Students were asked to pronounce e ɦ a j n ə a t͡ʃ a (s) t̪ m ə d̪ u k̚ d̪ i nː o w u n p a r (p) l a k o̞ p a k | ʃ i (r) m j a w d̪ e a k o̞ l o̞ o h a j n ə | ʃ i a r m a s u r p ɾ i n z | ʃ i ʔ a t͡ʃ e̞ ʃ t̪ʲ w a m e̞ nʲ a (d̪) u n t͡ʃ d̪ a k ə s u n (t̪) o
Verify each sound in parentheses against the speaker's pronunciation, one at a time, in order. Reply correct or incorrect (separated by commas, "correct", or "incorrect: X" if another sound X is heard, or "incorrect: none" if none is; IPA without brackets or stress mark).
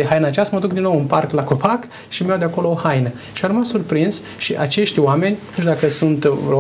correct, incorrect: k, incorrect: none, incorrect: t̪, correct